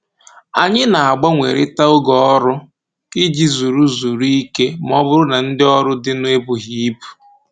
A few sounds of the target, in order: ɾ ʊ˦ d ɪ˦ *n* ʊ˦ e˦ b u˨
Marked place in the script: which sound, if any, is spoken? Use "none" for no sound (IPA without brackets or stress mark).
n